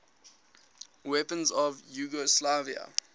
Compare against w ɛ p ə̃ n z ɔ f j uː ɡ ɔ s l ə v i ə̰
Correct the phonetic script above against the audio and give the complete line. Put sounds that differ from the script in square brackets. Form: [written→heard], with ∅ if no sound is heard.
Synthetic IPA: w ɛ p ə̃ n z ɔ [f→v] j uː ɡ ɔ s l [ə→a] v i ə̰